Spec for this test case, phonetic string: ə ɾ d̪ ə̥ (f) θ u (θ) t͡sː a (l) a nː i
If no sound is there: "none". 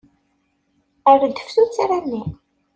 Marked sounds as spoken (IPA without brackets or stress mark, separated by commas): f, none, ɾ